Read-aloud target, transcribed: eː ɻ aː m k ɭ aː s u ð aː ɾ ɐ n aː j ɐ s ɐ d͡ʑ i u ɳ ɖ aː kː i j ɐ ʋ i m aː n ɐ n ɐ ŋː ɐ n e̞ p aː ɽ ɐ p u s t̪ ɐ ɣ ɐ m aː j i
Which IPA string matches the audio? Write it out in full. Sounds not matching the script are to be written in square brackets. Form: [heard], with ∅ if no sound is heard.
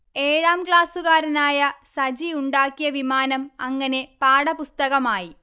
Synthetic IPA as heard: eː ɻ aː m k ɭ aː s u [ɣ] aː ɾ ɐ n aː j ɐ s ɐ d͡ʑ i u ɳ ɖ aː kː i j ɐ ʋ i m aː n ɐ [m] ɐ ŋː ɐ n e̞ p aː ɽ ɐ p u s t̪ ɐ ɣ ɐ m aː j i